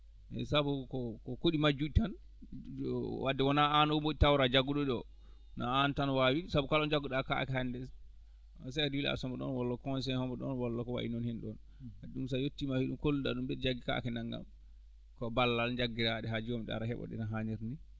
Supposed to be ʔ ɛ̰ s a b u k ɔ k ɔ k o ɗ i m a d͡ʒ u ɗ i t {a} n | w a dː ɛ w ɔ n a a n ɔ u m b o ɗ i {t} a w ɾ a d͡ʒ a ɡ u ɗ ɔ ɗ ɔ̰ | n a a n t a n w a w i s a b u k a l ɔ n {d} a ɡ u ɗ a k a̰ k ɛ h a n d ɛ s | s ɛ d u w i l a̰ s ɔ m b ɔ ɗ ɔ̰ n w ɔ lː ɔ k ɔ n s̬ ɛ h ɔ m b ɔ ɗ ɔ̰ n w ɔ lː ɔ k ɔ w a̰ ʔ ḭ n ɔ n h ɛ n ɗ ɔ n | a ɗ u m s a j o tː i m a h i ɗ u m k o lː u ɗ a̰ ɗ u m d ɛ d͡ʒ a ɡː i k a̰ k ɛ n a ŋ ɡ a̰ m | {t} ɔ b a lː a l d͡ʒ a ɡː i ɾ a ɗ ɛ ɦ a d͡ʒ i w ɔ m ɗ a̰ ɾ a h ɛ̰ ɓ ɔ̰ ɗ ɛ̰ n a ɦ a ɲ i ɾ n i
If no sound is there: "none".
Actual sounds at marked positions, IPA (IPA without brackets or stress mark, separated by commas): a, t, d͡ʒ, k